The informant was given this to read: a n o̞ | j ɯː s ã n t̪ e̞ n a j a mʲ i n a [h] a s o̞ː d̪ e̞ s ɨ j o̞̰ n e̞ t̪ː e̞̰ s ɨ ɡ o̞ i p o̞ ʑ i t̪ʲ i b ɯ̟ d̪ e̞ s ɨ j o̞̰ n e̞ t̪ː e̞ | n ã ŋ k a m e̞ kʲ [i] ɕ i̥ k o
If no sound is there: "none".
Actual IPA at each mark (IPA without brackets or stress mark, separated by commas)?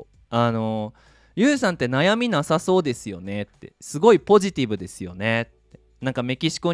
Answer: s, i